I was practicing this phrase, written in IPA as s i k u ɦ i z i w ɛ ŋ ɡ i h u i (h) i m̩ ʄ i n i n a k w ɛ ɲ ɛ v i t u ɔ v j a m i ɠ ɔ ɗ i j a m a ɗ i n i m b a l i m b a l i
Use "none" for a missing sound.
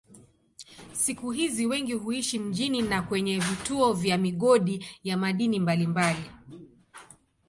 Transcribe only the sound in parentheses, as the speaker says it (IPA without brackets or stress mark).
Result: ʃ